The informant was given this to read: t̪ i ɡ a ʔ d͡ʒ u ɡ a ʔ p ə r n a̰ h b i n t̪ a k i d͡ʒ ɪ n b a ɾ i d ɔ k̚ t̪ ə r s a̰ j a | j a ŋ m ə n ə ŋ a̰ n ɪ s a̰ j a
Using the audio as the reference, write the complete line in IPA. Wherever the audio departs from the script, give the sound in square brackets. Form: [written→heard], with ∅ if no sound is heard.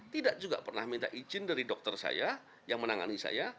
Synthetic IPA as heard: t̪ i [ɡ→d] a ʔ d͡ʒ u ɡ a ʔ p ə r n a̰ h [b→m] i n t̪ a [k→ʔ] i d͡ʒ ɪ n [b→d] a ɾ i d ɔ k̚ t̪ ə r s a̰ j a | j a ŋ m ə n [ə→a] ŋ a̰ n [ɪ→i] s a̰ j a